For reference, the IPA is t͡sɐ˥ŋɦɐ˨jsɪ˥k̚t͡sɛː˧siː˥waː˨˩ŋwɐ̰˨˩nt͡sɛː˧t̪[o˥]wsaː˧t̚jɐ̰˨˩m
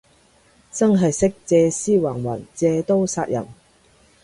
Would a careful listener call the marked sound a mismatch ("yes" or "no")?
no